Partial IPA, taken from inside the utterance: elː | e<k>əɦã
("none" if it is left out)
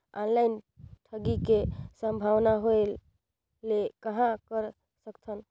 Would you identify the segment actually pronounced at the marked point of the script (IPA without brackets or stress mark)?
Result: k